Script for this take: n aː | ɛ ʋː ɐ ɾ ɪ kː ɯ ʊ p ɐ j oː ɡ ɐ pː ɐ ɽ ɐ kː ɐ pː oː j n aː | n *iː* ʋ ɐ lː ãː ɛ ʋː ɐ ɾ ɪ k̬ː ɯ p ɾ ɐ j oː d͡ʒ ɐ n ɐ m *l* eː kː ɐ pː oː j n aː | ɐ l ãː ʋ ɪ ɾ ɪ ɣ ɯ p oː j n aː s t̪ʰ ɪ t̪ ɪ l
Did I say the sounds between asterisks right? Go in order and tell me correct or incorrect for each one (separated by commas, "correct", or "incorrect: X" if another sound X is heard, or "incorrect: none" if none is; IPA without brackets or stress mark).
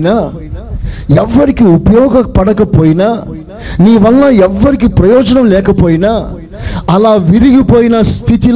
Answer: correct, correct